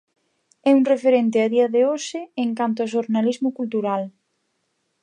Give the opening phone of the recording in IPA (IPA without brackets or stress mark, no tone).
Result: ɛ